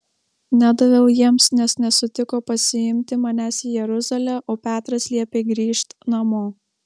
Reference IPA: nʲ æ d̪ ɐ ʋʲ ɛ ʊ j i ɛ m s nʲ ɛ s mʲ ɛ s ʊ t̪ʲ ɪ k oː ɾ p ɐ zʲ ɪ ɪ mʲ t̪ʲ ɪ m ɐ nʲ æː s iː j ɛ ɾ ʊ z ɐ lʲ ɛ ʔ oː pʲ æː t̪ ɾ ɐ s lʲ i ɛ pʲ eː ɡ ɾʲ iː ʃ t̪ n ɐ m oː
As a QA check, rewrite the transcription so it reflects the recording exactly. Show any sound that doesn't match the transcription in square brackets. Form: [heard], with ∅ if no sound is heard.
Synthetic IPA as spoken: nʲ æ d̪ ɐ ʋʲ ɛ ʊ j i ɛ m s nʲ ɛ s [nʲ] ɛ s ʊ t̪ʲ ɪ k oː [∅] p ɐ [sʲ] ɪ ɪ mʲ t̪ʲ ɪ m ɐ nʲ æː s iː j ɛ ɾ ʊ z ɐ lʲ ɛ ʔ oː pʲ æː t̪ ɾ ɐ s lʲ i ɛ pʲ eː ɡ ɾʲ iː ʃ t̪ n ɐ m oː